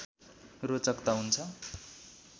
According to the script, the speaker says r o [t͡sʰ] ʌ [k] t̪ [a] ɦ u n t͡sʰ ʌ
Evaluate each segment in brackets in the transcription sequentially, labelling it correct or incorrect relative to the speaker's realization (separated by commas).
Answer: incorrect, correct, correct